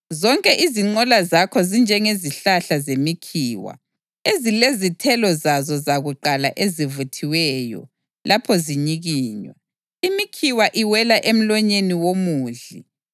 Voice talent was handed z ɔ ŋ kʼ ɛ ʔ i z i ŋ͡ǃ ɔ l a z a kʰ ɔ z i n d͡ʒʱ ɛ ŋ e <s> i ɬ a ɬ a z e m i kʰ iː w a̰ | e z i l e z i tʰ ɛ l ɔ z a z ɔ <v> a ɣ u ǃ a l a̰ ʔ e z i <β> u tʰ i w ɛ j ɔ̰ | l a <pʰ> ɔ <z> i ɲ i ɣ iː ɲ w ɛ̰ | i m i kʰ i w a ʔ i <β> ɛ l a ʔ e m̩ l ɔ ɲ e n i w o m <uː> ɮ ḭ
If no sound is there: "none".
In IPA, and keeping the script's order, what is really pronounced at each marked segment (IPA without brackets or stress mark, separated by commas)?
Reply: z, z, v, pʰ, z, w, uː